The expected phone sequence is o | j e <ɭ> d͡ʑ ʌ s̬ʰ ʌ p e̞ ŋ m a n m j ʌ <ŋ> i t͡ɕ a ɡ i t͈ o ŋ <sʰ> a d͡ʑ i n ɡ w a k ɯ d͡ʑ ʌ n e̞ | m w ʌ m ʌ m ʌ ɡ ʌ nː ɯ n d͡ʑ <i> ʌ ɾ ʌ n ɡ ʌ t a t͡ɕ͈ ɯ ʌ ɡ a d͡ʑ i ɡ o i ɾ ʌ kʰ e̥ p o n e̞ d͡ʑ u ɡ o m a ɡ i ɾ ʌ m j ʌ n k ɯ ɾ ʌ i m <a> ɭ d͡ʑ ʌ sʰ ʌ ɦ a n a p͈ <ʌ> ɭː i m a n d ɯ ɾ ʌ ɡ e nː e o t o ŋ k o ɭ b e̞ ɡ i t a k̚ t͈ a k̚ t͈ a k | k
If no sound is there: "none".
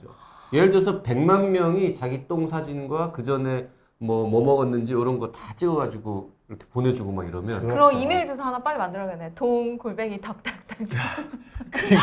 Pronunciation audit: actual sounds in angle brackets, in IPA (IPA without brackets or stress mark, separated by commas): ɭ, ŋ, sʰ, i, e, a